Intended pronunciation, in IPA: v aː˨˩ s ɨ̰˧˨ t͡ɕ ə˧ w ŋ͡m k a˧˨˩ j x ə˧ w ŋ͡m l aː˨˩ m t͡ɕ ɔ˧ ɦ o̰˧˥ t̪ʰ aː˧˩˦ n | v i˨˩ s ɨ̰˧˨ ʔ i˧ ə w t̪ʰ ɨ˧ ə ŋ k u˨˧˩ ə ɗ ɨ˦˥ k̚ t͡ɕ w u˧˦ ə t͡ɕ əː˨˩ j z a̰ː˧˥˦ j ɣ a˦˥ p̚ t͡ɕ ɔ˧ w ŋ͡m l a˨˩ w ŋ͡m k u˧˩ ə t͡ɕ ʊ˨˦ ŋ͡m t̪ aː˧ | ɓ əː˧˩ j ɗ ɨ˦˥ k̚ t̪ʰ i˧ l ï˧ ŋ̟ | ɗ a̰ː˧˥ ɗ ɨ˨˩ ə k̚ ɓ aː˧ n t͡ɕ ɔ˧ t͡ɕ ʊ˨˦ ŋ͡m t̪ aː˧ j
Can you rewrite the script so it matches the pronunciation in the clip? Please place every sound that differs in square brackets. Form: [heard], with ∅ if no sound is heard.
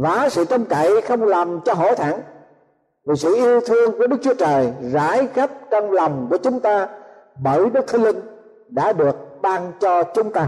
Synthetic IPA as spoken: v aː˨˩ s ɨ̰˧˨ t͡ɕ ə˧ w ŋ͡m k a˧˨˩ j x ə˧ w ŋ͡m l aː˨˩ m t͡ɕ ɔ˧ ɦ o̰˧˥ t̪ʰ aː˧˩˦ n | v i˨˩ s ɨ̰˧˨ ʔ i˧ ə w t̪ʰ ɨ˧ ə ŋ k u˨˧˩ ə ɗ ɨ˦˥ k̚ t͡ɕ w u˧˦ ə t͡ɕ əː˨˩ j z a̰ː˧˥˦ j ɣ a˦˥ p̚ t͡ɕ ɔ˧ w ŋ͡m l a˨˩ w ŋ͡m k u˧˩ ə t͡ɕ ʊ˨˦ ŋ͡m t̪ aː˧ | ɓ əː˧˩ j ɗ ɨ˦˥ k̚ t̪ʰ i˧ l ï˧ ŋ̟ | ɗ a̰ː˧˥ ɗ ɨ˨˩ ə k̚ ɓ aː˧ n t͡ɕ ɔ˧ t͡ɕ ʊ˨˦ ŋ͡m t̪ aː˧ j